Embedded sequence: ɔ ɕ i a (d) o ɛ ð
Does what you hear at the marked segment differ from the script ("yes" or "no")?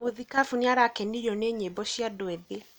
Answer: no